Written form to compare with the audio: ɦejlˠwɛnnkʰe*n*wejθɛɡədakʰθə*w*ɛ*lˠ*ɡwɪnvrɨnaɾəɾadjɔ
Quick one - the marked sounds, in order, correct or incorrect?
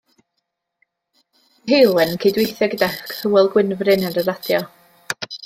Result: incorrect, correct, correct

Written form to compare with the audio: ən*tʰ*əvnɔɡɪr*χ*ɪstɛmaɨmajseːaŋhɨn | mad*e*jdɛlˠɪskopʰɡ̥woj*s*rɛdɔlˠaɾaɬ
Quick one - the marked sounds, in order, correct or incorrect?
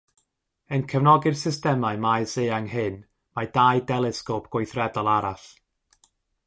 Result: incorrect, incorrect, incorrect, incorrect

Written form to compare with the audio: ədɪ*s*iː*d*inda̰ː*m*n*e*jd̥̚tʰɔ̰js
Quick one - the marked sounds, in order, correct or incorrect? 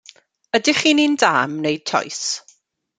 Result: incorrect, incorrect, correct, correct

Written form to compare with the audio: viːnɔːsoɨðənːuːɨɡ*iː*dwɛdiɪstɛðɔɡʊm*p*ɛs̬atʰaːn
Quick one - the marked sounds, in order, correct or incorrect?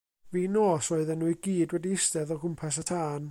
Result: correct, incorrect

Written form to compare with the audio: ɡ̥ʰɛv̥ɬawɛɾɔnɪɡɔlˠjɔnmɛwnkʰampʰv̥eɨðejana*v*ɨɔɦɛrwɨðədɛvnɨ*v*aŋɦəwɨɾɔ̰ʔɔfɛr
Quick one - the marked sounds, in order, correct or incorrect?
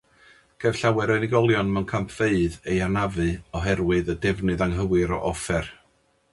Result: correct, incorrect

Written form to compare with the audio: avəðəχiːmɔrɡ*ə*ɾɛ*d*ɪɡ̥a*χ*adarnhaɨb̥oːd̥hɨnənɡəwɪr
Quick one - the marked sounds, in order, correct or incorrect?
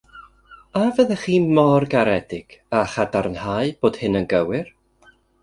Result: incorrect, correct, correct

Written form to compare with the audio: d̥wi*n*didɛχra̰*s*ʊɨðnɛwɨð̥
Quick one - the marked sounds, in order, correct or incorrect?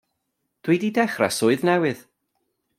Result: incorrect, correct

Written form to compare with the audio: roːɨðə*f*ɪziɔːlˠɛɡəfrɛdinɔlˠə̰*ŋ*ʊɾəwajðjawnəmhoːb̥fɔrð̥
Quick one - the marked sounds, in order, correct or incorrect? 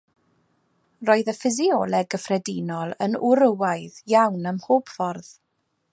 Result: correct, incorrect

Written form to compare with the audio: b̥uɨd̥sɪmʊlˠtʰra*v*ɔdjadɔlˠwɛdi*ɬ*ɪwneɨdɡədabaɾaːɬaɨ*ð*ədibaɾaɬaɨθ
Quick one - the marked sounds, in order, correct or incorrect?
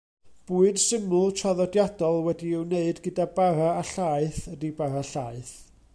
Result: incorrect, incorrect, incorrect

